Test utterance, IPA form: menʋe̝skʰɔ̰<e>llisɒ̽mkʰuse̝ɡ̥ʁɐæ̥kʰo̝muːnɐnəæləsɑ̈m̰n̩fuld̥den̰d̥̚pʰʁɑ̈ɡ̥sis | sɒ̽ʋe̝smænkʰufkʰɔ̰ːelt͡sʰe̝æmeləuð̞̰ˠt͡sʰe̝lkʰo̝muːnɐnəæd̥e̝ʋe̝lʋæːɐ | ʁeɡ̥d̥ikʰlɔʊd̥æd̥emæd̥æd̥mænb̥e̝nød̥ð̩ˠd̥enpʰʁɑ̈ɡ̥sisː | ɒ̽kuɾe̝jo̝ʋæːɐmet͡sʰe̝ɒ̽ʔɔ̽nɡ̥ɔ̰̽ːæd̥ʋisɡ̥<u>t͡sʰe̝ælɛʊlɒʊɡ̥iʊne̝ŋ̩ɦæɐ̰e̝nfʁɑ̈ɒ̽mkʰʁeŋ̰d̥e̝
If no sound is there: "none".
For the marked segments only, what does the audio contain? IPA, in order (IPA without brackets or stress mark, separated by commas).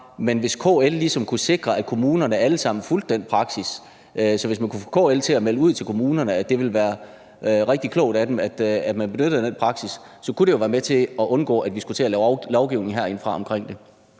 e, u